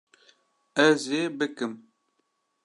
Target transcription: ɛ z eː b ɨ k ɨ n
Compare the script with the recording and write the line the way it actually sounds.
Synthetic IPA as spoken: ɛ z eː b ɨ k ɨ m